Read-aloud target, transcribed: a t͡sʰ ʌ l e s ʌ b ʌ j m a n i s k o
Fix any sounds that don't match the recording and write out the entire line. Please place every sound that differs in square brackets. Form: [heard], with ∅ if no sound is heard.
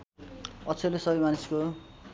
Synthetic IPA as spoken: [ʌ] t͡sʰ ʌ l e s ʌ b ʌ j m a n i s k o